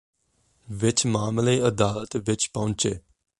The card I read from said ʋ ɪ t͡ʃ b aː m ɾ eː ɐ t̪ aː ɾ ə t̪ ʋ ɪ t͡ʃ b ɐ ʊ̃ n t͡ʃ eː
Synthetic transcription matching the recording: ʋ ɪ t͡ʃ m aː m l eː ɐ d̪ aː l ə t̪ ʋ ɪ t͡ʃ p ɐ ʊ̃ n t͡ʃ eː